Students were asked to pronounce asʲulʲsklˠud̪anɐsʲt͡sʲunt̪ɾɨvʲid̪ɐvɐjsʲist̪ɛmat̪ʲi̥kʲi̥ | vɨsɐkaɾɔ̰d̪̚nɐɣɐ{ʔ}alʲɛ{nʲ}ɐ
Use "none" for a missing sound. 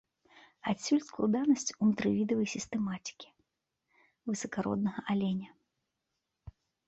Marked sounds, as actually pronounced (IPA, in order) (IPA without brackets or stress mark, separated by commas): ʔ, nʲ